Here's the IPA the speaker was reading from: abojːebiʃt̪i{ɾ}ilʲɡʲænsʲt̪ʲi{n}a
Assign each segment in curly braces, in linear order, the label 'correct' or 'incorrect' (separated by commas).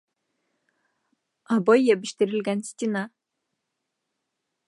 correct, correct